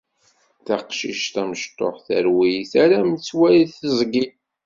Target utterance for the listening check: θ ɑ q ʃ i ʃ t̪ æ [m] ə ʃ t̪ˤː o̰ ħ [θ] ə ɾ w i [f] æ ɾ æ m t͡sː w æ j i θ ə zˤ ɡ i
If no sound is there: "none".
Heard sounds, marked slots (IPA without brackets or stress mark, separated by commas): m, θ, θ